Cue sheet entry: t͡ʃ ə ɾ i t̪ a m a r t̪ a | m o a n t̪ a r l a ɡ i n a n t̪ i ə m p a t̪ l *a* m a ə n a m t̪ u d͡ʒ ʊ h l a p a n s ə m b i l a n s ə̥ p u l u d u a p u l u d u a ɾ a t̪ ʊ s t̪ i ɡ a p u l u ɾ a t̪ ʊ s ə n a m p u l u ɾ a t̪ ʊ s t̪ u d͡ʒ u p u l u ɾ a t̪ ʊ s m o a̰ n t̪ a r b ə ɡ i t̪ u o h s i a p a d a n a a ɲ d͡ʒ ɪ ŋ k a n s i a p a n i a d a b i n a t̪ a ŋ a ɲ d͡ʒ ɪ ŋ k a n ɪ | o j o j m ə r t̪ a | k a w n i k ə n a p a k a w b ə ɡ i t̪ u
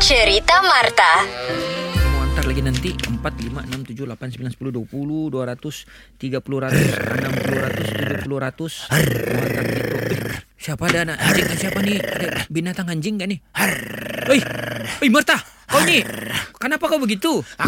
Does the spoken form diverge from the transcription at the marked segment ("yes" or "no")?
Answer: yes